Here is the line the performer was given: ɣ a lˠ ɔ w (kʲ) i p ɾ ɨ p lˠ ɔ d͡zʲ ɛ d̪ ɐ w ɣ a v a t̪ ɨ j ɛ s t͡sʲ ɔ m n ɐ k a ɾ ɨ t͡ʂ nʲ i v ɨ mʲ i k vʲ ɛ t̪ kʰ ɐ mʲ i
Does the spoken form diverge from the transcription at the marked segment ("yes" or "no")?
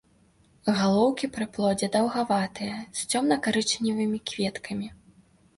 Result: no